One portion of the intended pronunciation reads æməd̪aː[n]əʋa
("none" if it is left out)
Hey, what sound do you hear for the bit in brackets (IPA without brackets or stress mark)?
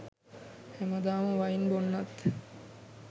m